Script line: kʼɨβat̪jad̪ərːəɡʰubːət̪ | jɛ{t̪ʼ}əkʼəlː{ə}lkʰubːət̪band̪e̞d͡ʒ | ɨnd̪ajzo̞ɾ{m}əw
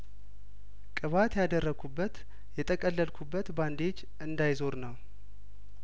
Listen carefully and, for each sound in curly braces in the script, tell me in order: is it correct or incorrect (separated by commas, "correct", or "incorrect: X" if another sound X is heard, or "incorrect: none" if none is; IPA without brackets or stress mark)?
correct, correct, incorrect: n